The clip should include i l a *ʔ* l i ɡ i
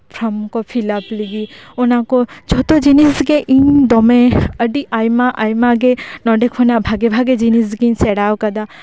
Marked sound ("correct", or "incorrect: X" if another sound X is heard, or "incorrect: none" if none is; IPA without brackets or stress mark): incorrect: p